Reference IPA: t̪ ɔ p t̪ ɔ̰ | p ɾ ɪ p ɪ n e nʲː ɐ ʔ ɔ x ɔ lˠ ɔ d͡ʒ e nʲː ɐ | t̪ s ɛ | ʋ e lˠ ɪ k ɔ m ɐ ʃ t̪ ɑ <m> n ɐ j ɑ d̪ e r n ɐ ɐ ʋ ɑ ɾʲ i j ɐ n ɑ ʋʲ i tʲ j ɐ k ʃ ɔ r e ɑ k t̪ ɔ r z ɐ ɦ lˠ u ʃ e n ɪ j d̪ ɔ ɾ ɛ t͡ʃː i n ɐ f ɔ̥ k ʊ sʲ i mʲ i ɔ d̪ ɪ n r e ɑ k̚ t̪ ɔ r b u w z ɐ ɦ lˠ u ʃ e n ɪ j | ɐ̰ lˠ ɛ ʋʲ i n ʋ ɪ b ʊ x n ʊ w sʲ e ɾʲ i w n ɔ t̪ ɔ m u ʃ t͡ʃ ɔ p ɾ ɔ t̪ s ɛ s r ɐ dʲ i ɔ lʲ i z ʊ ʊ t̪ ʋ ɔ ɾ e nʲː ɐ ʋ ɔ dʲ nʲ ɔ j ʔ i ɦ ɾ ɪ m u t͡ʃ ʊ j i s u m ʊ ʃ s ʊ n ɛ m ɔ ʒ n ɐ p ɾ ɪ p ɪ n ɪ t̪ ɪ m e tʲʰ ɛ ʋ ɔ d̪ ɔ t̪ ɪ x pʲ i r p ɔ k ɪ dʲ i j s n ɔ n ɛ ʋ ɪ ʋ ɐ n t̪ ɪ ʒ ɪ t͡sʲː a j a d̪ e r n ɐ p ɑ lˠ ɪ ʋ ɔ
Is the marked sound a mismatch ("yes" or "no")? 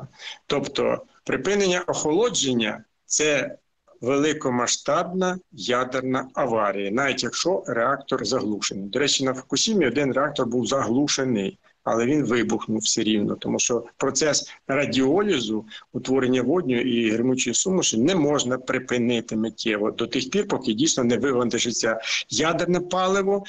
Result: yes